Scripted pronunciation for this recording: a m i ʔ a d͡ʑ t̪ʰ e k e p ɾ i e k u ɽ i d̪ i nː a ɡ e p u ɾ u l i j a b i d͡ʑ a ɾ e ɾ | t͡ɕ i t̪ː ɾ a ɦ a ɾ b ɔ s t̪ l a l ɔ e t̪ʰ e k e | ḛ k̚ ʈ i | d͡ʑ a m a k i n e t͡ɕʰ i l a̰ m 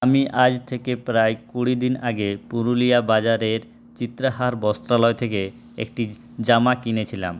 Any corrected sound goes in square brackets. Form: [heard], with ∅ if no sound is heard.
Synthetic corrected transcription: a m i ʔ a d͡ʑ t̪ʰ e k e p ɾ [a] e k u ɽ i d̪ i [n] a ɡ e p u ɾ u l i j a b [a] d͡ʑ a ɾ e ɾ | t͡ɕ i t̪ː ɾ a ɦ a ɾ b ɔ s t̪ [ɾ] a l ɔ e t̪ʰ e k e | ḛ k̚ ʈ i | d͡ʑ a m a k i n e t͡ɕʰ i l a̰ m